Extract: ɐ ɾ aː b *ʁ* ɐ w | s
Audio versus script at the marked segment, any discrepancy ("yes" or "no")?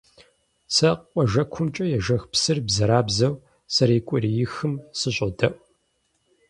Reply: yes